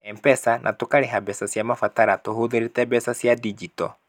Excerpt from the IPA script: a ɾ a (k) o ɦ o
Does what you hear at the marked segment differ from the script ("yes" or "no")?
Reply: yes